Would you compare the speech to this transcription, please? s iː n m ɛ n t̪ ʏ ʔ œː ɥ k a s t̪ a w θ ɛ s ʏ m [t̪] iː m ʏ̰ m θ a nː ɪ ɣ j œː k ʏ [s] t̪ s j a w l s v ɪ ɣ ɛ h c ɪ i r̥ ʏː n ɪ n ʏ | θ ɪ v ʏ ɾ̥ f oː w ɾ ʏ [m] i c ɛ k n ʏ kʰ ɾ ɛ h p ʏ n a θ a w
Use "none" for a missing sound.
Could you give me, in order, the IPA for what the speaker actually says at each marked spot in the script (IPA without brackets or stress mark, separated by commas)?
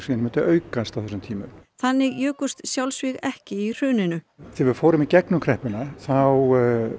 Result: t̪ʰ, s, m